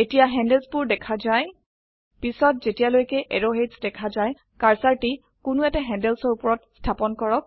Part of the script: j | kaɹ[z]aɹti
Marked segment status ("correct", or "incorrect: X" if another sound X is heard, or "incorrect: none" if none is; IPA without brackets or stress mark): incorrect: s